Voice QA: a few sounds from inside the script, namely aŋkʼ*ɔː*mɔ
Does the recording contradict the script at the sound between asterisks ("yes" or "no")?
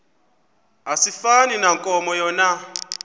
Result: yes